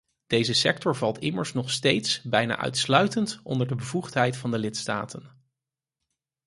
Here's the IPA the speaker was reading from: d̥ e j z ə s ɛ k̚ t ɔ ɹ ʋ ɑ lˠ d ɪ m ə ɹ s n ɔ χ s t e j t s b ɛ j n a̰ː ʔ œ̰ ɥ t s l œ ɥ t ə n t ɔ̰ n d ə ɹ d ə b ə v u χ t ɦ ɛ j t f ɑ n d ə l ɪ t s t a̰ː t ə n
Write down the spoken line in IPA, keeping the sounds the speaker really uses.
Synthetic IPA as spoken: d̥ e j z ə s ɛ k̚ t ɔ ɹ v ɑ lˠ t ɪ m ə ɹ s n ɔ χ s t e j t s b ɛ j n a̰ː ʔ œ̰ ɥ t s l œ ɥ t ə n t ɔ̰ n d ə ɹ d ə b ə v u χ t ɦ ɛ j t f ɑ n d ə l ɪ t s t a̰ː t ə n